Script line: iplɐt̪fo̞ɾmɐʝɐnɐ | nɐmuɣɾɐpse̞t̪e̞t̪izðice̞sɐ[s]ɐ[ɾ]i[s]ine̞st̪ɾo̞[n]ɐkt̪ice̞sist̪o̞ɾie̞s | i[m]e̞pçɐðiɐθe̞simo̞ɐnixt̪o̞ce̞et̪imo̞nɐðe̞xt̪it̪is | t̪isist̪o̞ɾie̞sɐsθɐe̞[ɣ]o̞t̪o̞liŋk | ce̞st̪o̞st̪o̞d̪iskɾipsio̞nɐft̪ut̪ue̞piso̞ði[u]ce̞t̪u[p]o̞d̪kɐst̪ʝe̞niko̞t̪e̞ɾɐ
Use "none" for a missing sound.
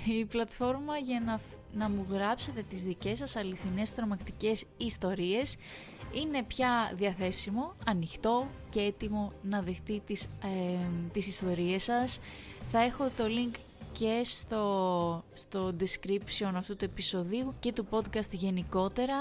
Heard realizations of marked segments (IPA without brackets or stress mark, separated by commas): s, l, θ, m, n, x, u, p